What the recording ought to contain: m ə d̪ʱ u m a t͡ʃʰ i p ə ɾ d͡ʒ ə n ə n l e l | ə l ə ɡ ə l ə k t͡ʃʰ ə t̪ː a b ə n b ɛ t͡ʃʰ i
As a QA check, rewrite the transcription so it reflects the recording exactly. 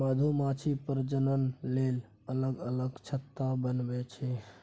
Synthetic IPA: m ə d̪ʱ u m a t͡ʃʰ i p ə ɾ d͡ʒ ə n ə n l e l | ə l ə ɡ ə l ə ɡ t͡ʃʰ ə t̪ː a b ə n b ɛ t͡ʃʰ ɛ

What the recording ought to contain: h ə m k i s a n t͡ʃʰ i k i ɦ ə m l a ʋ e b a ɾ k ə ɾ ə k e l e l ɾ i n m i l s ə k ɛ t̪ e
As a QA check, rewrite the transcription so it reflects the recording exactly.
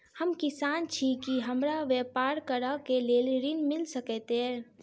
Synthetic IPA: h ə m k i s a n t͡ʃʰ i k i ɦ ə m ɾ a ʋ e p a ɾ k ə ɾ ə k e l e l ɾ i n m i l s ə k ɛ t̪ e

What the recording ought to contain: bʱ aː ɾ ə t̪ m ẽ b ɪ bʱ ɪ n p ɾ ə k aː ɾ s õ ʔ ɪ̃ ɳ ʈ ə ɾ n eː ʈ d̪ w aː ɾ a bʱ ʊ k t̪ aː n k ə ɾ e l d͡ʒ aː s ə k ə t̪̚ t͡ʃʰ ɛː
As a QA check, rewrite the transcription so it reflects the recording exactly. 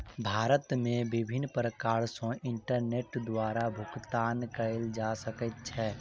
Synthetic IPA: bʱ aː ɾ ə t̪ m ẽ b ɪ bʱ ɪ n p ɾ ə k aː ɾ s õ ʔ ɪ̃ ɳ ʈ ə ɾ n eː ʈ d̪ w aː ɾ a bʱ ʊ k t̪ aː n k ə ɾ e l d͡ʒ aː s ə k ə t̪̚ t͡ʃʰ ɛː

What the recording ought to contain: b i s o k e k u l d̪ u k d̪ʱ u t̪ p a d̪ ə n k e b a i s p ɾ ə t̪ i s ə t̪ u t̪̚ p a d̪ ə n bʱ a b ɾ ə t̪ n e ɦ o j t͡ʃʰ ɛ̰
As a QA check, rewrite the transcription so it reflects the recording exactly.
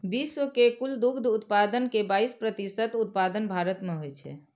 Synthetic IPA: b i s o k e k u l d̪ u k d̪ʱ u t̪ p a d̪ ə n k e b a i s p ɾ ə t̪ i s ə t̪ u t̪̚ p a d̪ ə n bʱ a ɾ ə t̪ m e ɦ o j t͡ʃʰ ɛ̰

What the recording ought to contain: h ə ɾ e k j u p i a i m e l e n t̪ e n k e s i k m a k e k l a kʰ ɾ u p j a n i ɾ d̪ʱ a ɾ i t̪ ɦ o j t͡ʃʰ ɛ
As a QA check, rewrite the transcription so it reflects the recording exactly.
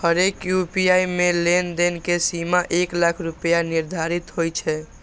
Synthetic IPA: h ə ɾ e k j u p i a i m e l e n d̪ e n k e s i m a ʔ e k l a kʰ ɾ u p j a n i ɾ d̪ʱ a ɾ i t̪ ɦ o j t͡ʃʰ ɛ

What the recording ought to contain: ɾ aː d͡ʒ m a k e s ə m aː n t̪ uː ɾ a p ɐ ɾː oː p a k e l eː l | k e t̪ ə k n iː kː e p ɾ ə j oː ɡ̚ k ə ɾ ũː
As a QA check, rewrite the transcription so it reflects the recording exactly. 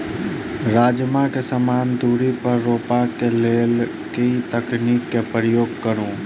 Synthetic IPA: ɾ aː d͡ʒ m a k e s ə m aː n d̪ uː ɾ i p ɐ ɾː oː p a k e l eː l | k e t̪ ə k n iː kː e p ɾ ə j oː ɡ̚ k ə ɾ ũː

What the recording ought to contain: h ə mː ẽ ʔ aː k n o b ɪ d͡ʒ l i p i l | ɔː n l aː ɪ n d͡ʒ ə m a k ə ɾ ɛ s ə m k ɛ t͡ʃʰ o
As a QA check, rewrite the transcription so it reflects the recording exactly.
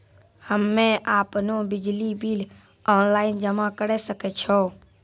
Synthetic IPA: h ə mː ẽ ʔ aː p n o b ɪ d͡ʒ l i b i l | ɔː n l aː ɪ n d͡ʒ ə m a k ə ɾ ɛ s ə k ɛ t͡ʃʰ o

